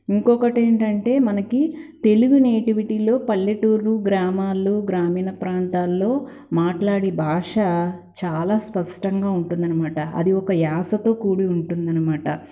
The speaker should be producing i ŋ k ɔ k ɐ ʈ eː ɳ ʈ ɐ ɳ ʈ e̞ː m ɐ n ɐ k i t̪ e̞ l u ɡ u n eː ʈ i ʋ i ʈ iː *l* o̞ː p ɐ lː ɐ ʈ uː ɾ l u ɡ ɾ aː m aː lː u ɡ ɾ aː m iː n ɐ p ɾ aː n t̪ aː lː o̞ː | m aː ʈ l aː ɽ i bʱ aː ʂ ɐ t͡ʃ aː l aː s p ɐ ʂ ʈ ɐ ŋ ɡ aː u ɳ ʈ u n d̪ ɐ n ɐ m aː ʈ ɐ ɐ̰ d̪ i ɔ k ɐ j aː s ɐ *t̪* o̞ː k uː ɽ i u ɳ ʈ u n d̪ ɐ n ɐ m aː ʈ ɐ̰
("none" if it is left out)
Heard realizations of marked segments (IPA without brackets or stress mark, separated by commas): l, t̪